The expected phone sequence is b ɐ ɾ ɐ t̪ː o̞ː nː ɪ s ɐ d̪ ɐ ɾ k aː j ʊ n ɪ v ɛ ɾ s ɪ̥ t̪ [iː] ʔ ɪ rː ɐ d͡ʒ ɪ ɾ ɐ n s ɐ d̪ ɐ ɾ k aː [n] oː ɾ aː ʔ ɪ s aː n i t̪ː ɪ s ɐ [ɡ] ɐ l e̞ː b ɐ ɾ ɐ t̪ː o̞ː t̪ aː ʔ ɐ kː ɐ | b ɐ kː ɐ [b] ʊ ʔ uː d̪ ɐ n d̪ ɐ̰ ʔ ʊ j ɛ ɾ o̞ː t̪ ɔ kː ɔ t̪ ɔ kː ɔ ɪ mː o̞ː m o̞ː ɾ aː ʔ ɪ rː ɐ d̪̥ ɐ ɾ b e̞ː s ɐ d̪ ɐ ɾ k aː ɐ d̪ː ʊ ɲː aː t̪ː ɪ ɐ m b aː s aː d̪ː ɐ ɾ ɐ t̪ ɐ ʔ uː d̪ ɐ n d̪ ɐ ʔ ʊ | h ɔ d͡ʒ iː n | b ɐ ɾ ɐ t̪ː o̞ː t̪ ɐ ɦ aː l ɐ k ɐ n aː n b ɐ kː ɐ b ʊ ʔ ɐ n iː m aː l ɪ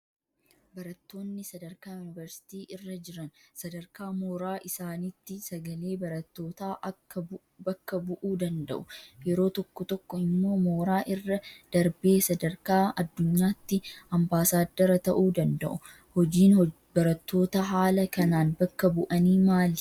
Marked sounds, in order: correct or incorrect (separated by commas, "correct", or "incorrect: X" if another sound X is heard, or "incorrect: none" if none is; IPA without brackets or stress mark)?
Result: correct, incorrect: m, correct, correct